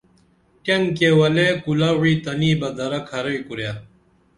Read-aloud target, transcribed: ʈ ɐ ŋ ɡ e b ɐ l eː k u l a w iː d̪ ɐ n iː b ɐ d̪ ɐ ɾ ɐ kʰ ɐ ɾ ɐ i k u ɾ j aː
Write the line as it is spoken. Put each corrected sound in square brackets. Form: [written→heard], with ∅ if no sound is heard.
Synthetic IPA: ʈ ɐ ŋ [ɡ→k] e [b→w] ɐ l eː k u l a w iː [d̪→t̪] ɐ n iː b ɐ d̪ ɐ ɾ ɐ kʰ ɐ ɾ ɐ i k u ɾ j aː